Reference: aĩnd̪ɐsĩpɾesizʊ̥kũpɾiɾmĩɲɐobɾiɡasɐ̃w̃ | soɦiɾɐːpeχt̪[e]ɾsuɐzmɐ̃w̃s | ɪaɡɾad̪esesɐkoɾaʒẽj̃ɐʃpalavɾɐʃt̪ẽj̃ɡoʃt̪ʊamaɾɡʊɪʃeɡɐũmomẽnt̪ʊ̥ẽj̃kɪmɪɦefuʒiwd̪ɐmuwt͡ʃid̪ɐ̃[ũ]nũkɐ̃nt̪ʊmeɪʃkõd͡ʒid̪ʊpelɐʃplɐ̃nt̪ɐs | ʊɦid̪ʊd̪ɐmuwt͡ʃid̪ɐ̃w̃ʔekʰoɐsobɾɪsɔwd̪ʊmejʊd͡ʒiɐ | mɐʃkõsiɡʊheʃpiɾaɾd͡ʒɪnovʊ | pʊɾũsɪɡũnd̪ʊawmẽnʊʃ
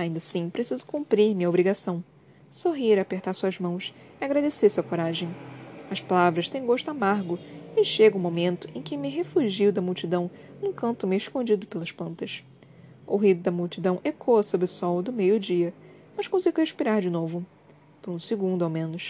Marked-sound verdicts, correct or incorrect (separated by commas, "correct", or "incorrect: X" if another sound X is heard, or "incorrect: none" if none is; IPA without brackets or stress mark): incorrect: a, incorrect: w̃